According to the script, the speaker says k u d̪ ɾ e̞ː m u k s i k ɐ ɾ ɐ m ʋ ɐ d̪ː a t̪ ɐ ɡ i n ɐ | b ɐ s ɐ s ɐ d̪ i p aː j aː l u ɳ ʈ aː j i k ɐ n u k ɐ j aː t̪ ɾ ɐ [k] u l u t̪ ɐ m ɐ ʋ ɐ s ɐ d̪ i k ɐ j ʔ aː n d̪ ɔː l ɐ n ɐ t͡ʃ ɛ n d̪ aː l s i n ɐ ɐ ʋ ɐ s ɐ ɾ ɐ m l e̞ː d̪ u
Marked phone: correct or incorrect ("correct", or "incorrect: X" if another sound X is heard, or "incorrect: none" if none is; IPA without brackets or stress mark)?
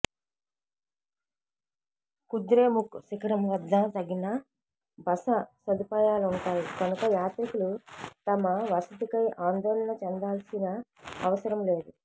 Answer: correct